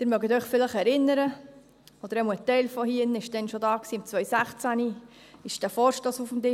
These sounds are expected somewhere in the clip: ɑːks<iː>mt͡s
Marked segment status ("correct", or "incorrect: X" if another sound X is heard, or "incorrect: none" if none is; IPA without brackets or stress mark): correct